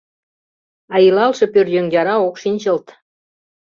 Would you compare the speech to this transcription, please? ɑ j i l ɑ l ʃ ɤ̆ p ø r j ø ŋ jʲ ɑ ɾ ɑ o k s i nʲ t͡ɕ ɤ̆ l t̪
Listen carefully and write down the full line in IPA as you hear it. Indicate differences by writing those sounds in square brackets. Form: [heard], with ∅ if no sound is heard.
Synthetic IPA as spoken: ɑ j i l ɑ l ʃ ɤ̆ p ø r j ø ŋ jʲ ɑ ɾ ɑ o k [ʃ] i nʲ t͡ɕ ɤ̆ l t̪